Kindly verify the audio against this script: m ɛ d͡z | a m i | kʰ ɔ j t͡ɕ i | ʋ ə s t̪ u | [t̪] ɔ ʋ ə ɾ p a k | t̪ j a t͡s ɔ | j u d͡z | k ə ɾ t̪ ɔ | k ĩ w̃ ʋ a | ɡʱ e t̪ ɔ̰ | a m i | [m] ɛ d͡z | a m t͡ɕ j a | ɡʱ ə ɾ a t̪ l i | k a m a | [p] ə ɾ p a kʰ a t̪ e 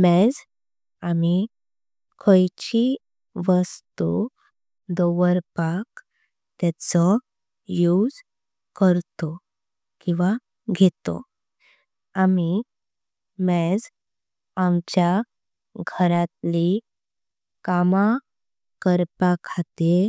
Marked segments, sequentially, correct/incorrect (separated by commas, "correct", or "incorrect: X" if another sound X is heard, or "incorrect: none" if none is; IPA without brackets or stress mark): incorrect: d̪, correct, incorrect: k